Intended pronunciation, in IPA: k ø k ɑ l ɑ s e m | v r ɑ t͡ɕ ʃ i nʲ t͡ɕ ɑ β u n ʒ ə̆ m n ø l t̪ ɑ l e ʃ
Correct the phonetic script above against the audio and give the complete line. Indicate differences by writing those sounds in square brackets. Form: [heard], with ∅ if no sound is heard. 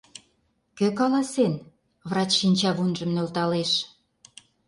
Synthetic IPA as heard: k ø k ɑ l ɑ s e [n] | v r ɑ t͡ɕ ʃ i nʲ t͡ɕ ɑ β u n ʒ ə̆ m n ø l t̪ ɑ l e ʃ